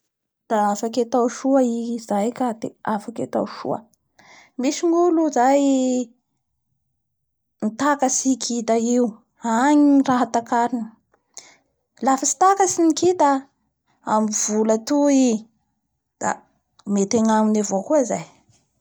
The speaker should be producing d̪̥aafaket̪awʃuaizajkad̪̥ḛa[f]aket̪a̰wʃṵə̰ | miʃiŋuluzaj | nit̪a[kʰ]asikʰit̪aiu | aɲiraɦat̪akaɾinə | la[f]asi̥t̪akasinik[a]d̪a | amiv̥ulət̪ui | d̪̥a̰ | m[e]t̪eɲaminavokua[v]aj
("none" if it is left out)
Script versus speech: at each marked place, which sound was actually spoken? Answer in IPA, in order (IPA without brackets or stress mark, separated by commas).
f, k, f, i, e, z